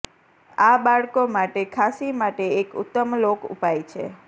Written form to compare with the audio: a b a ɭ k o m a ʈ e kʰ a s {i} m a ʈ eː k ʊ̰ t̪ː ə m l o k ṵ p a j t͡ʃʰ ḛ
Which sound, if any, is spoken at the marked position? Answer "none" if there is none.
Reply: i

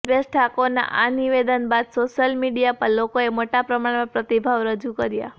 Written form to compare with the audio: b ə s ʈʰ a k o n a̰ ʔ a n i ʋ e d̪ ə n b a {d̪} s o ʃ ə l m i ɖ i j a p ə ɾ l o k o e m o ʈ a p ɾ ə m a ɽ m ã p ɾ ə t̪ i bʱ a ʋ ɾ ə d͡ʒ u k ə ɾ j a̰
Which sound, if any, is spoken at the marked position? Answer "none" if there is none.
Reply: d̪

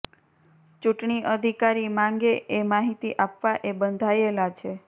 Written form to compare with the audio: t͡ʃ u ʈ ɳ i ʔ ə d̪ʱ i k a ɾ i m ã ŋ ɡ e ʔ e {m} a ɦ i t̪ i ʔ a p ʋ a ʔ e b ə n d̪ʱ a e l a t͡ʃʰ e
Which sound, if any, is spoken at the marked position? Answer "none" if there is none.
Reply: m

